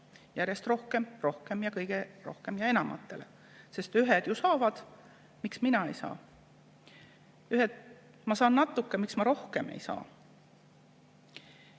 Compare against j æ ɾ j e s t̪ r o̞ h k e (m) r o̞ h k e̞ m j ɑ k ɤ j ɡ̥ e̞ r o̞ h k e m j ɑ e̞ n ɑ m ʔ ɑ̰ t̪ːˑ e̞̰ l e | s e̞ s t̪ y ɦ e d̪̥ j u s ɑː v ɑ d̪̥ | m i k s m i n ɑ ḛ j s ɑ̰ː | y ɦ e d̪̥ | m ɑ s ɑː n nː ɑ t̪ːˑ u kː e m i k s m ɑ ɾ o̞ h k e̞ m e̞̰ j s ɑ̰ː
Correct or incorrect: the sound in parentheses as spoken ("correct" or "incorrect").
correct